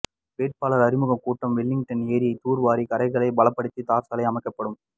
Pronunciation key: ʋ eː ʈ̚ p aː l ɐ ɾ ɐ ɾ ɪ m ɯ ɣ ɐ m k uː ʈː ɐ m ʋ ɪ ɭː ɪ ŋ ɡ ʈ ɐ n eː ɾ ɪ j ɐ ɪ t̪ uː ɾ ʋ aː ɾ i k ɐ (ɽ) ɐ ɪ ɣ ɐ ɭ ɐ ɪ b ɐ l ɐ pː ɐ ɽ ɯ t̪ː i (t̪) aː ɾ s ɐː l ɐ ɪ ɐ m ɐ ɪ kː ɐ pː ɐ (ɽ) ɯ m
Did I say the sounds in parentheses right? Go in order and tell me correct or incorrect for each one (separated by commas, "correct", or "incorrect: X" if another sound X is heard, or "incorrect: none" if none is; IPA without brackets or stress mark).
incorrect: ɾ, correct, correct